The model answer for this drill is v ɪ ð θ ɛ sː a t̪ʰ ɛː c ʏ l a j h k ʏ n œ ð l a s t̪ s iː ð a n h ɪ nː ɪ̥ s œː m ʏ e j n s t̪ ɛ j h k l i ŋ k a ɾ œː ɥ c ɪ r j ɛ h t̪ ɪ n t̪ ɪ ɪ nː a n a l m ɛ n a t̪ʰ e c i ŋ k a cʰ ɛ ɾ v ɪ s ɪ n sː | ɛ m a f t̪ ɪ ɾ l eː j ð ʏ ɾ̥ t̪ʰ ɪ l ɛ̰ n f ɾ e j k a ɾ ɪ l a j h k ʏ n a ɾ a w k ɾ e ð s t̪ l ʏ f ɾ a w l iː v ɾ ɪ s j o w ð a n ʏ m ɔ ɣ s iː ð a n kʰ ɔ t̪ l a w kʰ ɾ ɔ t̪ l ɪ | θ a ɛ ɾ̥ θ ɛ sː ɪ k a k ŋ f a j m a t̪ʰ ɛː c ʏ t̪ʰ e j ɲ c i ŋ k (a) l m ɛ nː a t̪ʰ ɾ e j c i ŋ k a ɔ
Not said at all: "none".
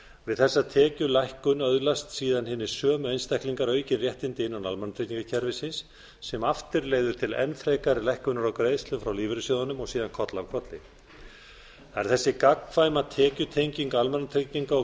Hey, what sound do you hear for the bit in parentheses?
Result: a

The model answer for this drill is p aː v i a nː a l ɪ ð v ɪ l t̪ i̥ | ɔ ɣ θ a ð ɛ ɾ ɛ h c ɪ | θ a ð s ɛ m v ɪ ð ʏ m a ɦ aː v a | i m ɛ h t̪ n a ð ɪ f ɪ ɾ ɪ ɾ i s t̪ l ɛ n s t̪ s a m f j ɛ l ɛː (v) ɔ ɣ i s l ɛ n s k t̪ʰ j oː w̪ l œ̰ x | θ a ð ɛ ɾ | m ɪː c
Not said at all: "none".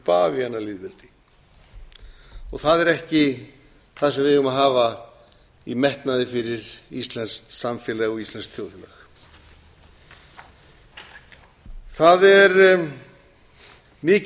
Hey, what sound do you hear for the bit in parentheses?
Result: ɣ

